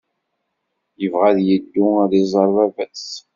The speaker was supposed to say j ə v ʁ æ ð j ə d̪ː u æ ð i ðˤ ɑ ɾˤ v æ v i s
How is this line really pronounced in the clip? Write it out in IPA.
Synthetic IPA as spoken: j ə v ʁ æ ð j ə d̪ː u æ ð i zˤ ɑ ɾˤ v æ v æ s

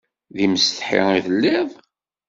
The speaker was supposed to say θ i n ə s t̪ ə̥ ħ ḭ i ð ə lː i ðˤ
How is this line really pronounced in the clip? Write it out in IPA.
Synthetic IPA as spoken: ð i m ə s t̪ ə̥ ħ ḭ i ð ə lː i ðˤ

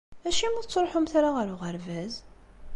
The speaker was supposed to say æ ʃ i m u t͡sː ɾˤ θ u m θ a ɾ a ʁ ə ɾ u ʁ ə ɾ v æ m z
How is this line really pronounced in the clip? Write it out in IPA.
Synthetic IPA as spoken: æ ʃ i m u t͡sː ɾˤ ħ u m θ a ɾ a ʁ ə ɾ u ʁ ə ɾ v æ z

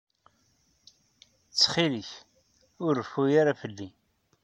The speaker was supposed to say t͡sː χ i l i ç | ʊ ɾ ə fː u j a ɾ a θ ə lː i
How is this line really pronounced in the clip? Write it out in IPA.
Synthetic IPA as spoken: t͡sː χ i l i ç | ʊ ɾ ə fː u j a ɾ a f ə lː i

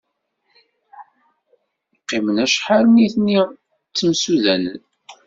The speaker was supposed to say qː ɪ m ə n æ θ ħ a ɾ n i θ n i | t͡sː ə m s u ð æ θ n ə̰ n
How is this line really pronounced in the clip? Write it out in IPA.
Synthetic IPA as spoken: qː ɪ m ə n æ ʃ ħ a ɾ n i θ n i | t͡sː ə m s u ð æ n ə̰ n

